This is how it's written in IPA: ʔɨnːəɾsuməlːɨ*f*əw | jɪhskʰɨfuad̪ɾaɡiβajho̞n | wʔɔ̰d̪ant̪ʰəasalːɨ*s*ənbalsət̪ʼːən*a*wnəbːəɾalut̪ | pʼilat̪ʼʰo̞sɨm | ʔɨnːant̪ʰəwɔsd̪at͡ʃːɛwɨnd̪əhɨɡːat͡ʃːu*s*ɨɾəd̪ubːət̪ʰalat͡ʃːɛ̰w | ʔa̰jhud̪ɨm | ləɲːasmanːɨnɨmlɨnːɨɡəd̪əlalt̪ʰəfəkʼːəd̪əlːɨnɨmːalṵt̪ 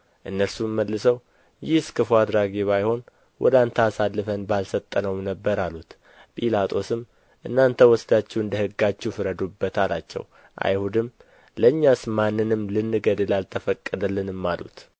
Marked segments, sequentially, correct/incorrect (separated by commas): incorrect, incorrect, incorrect, incorrect